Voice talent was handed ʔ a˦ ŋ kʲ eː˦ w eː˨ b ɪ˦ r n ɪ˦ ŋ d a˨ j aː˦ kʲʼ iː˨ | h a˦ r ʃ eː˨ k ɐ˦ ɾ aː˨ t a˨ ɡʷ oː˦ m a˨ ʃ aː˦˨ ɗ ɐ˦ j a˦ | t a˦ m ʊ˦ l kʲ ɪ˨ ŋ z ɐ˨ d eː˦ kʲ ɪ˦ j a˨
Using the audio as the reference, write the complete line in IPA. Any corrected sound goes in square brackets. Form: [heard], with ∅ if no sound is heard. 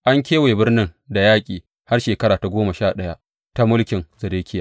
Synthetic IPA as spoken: ʔ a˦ ŋ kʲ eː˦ w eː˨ b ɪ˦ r n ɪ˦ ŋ d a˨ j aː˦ kʲʼ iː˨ | h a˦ r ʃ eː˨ k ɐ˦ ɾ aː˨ t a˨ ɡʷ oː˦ m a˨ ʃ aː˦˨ ɗ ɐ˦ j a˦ | t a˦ m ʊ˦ l kʲ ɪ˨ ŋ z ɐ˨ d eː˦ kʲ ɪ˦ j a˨